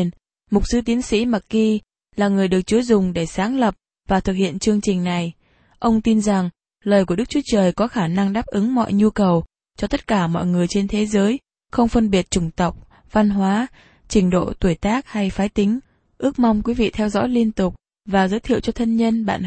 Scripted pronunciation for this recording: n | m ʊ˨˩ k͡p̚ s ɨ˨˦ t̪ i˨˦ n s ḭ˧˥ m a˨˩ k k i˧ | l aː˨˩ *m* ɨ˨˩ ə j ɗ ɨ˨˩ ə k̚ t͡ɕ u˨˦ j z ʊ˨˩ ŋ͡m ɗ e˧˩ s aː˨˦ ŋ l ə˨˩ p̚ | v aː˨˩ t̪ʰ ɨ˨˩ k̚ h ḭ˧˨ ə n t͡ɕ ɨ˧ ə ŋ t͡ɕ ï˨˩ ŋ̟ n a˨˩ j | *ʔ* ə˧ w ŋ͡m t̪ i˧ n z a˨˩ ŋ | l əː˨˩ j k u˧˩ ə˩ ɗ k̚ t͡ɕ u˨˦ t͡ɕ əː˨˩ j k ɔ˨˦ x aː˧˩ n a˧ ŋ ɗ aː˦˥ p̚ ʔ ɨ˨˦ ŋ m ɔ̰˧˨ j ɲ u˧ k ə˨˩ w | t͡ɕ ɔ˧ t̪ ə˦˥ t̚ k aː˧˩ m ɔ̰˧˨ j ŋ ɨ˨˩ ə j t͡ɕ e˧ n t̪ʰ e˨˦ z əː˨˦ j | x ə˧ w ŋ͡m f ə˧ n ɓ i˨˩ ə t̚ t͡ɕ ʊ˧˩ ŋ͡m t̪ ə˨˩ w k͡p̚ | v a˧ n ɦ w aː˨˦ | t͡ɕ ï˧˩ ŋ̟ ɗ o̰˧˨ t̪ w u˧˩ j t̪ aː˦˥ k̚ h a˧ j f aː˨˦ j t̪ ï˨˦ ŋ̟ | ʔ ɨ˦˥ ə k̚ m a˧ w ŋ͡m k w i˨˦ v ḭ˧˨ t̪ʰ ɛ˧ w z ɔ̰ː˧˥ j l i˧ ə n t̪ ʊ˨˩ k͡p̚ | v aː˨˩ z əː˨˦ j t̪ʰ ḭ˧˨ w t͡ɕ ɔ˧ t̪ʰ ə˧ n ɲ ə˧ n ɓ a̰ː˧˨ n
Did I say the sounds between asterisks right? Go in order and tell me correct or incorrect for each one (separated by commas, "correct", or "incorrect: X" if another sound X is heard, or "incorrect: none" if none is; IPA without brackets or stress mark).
incorrect: ŋ, correct